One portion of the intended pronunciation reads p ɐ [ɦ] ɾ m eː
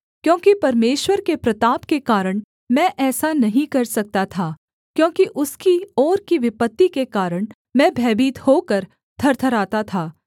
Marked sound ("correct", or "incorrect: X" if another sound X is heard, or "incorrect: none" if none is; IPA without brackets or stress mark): incorrect: none